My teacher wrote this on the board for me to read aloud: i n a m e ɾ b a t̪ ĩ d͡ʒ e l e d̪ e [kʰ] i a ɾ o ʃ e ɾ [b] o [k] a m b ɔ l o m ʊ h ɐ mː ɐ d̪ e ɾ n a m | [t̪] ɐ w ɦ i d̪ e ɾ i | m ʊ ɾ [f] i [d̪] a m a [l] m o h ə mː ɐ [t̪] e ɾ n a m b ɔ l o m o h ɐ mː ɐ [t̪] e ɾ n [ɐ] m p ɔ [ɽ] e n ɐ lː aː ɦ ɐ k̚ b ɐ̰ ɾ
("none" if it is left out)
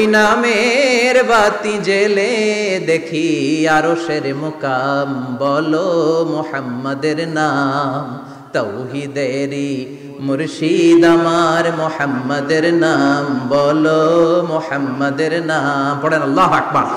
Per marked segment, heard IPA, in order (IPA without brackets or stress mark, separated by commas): kʰ, m, k, t̪, ʃ, d̪, ɾ, d̪, d̪, a, ɽ